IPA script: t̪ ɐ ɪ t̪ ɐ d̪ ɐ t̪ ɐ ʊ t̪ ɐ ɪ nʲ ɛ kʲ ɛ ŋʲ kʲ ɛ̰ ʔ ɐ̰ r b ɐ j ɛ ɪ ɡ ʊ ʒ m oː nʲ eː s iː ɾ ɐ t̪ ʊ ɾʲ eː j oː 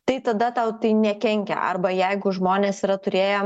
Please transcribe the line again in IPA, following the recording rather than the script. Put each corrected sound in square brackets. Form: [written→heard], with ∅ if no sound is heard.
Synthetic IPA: t̪ ɐ ɪ t̪ ɐ d̪ ɐ t̪ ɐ ʊ t̪ ɐ ɪ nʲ ɛ kʲ ɛ ŋʲ kʲ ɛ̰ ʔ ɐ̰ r b ɐ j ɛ ɪ ɡ ʊ ʒ m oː nʲ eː s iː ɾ ɐ t̪ ʊ ɾʲ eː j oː

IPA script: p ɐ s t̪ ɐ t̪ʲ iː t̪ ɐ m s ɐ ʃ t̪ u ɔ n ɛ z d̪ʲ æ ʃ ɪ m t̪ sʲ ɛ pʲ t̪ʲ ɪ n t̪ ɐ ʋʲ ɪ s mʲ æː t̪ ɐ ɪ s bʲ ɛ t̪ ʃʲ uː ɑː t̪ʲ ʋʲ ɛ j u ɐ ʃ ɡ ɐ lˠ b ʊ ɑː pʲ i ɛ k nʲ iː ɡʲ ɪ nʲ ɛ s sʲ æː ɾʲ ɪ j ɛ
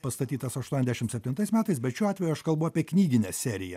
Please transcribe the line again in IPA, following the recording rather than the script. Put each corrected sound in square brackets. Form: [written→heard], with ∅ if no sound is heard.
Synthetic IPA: p ɐ s t̪ ɐ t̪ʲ iː t̪ ɐ [m→∅] s ɐ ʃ t̪ u ɔ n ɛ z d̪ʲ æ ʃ ɪ m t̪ sʲ ɛ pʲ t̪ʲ ɪ n t̪ ɐ [ʋʲ→∅] ɪ s mʲ æː t̪ ɐ ɪ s bʲ ɛ t̪ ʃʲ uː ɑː t̪ʲ ʋʲ ɛ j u ɐ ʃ [ɡ→k] ɐ lˠ b ʊ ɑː pʲ i ɛ k nʲ iː ɡʲ ɪ nʲ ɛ s sʲ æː ɾʲ ɪ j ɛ

